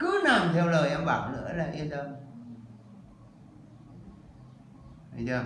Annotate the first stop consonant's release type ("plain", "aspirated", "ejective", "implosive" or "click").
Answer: plain